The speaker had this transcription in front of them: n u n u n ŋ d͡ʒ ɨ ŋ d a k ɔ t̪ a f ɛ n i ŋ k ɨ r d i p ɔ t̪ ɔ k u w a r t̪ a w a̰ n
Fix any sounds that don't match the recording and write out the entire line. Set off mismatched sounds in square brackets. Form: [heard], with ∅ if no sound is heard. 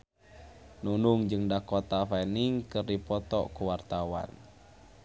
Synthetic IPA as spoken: n u n u [∅] ŋ d͡ʒ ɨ ŋ d a k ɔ t̪ a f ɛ n i ŋ k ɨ r d i p ɔ t̪ ɔ k u w a r t̪ a w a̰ n